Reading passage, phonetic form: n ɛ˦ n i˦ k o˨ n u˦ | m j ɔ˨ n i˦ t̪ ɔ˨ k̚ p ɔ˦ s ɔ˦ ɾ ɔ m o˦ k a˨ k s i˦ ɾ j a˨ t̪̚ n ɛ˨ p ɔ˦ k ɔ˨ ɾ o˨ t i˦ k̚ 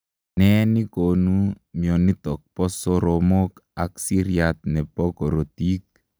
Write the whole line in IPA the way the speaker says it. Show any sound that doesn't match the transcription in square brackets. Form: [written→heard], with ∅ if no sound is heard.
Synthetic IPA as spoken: n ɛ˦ n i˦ k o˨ n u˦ | m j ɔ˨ n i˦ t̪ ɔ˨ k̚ p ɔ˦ s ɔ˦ ɾ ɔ m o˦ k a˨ k s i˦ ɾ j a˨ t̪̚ n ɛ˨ p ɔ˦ k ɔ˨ ɾ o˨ t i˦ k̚